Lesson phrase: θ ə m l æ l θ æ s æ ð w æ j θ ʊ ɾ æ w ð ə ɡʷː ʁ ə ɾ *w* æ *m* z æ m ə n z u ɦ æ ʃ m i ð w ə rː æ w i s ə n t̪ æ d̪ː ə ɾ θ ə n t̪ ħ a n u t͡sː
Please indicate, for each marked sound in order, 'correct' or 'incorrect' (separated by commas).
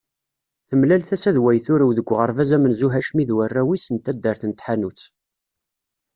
incorrect, incorrect